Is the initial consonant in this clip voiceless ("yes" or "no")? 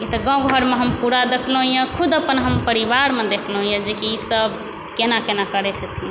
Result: yes